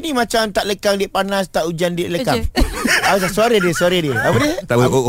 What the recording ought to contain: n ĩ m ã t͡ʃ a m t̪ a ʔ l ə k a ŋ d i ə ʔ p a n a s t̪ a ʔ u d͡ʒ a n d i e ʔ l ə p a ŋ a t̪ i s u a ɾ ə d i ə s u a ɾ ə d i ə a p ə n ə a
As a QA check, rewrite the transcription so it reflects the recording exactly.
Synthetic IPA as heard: n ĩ m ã t͡ʃ a m t̪ a ʔ l ə k a ŋ d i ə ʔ p a n a s t̪ a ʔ u d͡ʒ a n d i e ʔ l ə k a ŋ a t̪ a s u a ɾ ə d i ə s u a ɾ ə d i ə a p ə d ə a